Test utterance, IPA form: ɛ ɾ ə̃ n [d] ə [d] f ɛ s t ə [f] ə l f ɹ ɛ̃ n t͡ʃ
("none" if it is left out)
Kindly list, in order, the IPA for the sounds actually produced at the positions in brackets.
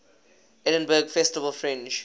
b, ɡ, v

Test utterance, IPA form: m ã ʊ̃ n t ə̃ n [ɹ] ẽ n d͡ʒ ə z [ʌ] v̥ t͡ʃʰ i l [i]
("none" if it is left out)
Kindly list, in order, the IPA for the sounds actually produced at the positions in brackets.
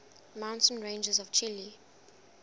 ɹ, ɔ, i

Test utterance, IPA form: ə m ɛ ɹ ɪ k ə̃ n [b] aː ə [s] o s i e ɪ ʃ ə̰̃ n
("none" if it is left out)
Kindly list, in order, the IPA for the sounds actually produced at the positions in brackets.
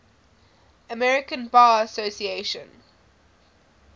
b, s

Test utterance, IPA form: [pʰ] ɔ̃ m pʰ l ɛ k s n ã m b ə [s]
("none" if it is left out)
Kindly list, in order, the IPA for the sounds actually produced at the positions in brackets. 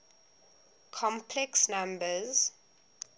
kʰ, z

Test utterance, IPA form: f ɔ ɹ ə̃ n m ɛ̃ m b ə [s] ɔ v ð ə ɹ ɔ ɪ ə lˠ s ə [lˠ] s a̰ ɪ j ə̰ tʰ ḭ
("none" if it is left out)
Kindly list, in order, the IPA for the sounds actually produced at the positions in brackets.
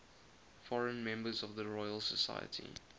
z, none

